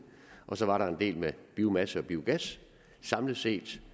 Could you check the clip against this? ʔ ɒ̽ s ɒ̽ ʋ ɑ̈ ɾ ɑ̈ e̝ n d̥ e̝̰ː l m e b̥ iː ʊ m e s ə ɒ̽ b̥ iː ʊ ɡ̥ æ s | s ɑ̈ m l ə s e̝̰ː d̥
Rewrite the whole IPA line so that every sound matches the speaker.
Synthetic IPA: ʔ ɒ̽ s ɒ̽ ʋ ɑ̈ ɾ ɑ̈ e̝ n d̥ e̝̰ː l m e b̥ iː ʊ m æ s ə ɒ̽ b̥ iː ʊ ɡ̥ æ s | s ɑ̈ m l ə s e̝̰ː d̥